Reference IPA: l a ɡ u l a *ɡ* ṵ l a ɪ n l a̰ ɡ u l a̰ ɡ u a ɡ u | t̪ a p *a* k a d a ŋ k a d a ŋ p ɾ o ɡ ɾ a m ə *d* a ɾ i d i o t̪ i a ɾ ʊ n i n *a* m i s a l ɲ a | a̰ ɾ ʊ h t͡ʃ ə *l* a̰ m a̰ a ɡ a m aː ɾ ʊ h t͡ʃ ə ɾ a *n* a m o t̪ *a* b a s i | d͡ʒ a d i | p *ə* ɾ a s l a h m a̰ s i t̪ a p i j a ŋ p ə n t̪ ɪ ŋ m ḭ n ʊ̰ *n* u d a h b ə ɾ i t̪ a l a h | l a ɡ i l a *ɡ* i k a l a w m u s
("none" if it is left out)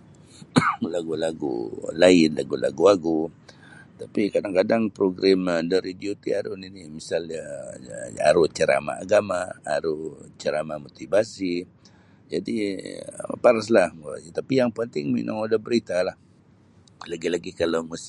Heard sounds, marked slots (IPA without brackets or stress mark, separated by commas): ɡ, i, d, i, ɾ, m, i, a, ŋ, ɡ